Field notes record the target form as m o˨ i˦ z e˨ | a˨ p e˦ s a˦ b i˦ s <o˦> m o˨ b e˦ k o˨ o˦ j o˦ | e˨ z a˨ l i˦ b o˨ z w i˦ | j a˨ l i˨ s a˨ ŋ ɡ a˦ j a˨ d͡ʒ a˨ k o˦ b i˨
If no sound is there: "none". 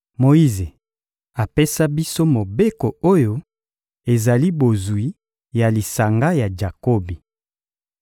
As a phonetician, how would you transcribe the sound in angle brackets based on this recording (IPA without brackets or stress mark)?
o˦